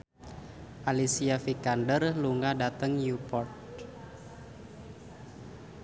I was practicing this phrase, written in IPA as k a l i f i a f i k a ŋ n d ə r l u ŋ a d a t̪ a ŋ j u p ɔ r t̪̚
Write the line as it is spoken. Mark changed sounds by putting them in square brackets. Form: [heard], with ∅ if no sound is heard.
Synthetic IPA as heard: [ʔ] a l i [s] i a f i k a [∅] n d ə r l u ŋ a d a t̪ [ə] ŋ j u p ɔ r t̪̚